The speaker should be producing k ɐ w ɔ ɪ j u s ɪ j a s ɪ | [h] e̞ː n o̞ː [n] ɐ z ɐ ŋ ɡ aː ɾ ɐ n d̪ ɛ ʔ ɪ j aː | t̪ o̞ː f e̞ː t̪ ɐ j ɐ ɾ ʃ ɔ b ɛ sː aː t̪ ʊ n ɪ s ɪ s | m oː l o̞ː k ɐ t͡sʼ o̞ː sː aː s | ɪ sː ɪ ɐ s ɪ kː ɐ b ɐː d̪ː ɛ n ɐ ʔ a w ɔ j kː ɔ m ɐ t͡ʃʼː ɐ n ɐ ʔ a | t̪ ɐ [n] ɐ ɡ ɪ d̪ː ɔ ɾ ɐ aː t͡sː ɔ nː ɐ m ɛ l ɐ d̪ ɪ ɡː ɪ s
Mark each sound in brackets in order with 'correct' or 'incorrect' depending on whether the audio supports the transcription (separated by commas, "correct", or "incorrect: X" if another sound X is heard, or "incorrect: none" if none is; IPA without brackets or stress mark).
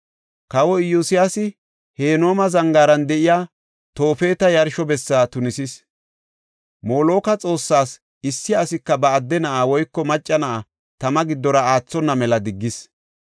correct, incorrect: m, incorrect: m